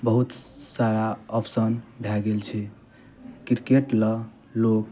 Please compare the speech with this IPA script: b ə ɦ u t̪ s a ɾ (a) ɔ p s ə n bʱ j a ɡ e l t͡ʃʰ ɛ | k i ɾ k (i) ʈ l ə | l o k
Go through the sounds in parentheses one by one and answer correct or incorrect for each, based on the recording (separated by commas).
correct, incorrect